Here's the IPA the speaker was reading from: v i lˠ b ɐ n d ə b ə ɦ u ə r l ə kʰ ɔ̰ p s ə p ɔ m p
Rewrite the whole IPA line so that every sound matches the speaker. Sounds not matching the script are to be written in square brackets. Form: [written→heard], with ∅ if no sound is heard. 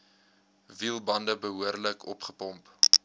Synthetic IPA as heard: v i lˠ b ɐ n d ə b ə ɦ u ə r l ə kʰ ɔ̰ p [s→χ] ə p ɔ m p